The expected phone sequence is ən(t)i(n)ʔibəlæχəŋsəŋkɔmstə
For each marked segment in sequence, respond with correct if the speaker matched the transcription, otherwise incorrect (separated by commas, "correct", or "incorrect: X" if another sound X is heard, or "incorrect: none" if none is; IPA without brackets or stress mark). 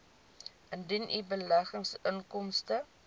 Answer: incorrect: d, correct